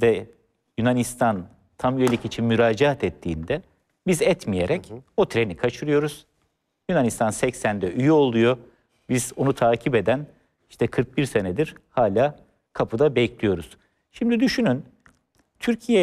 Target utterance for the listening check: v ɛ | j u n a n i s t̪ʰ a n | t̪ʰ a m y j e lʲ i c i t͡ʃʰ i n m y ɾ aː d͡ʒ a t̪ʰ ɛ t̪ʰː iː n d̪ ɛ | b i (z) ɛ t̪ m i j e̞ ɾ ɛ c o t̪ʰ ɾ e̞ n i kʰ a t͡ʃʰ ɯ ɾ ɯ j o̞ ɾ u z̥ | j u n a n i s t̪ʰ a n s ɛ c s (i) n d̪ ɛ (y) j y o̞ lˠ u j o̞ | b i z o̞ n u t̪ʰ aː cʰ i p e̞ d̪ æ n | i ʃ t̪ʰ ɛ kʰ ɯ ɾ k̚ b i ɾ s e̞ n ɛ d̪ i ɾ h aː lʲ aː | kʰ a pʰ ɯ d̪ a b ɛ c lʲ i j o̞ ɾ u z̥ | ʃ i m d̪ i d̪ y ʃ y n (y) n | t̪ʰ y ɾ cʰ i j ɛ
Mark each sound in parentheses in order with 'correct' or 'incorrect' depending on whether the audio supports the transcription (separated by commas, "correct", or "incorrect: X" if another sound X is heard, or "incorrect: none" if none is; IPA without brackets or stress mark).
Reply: correct, incorrect: æ, correct, correct